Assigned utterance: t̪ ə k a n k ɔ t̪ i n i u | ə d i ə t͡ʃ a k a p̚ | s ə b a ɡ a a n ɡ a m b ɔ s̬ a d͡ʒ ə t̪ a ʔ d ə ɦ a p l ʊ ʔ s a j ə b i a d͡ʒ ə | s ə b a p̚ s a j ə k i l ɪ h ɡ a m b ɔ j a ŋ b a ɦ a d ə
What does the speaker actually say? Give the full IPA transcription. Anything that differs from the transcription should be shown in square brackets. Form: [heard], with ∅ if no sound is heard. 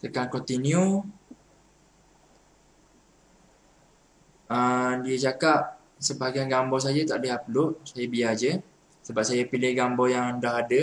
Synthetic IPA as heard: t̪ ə k a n k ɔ t̪ i n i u | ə d i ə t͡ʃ a k a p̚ | s ə b a ɡ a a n ɡ a m b ɔ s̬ a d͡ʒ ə t̪ a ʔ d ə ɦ a p l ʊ ʔ s a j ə b i a d͡ʒ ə | s ə b a p̚ s a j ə [p] i l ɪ h ɡ a m b ɔ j a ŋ [d] a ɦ a d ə